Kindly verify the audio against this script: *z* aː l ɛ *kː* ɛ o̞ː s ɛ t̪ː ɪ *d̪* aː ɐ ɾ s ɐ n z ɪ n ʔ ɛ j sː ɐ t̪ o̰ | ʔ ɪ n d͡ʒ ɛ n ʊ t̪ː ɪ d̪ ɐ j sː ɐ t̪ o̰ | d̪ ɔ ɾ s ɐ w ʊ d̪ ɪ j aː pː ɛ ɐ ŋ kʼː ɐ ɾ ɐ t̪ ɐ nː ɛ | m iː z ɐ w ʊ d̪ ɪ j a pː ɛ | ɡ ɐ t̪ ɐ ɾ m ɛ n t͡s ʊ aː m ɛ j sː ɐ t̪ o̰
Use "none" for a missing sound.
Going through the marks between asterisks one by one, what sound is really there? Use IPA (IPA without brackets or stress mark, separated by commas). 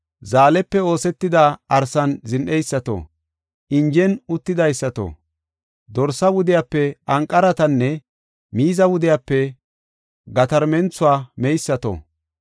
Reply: z, pː, d̪